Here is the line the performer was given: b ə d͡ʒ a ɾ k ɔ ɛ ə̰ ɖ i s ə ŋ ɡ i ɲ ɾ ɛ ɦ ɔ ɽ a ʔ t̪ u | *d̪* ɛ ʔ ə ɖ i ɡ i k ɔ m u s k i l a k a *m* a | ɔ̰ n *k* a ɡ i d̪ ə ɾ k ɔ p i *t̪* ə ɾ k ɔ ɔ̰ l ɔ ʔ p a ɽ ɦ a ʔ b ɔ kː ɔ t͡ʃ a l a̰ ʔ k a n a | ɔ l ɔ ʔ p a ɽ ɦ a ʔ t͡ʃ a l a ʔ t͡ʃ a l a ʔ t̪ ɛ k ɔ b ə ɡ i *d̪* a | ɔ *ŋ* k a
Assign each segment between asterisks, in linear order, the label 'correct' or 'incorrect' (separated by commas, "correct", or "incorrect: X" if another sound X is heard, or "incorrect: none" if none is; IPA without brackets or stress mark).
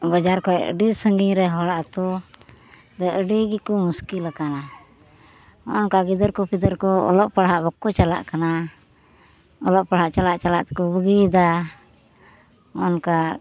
correct, incorrect: n, correct, incorrect: d̪, correct, incorrect: n